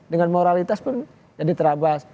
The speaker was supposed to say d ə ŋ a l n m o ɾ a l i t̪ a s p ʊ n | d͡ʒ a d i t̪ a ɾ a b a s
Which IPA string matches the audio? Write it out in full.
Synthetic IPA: d ə ŋ a n m o ɾ a l i t̪ a s p ʊ n | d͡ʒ a d i t̪ ə ɾ a b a s